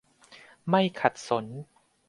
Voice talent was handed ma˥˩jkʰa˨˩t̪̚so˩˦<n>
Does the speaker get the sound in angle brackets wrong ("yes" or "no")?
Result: no